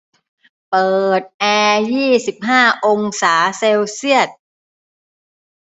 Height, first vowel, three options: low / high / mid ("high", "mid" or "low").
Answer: mid